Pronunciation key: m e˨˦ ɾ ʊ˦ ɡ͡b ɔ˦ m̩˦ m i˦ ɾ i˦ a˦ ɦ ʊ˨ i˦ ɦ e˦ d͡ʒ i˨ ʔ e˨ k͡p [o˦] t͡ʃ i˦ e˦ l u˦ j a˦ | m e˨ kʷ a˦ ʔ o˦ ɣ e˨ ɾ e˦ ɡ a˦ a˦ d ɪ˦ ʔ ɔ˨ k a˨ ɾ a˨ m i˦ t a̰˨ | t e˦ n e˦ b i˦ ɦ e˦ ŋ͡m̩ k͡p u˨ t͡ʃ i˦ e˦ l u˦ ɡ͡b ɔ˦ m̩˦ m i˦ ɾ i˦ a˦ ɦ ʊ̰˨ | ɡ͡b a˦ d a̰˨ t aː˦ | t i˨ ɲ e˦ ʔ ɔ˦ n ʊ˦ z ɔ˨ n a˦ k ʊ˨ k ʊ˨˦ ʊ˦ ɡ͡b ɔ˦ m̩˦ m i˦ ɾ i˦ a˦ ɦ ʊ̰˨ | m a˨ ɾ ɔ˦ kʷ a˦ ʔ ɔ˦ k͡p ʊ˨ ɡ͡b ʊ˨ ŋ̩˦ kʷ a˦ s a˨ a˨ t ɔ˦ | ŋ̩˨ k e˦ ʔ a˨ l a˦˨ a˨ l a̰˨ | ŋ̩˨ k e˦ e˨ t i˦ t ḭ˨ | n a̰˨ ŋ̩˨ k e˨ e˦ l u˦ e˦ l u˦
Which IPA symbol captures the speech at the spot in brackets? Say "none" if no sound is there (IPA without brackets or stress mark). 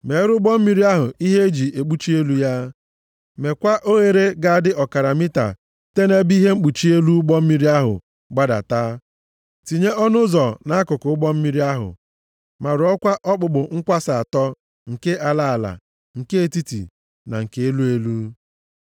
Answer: u˦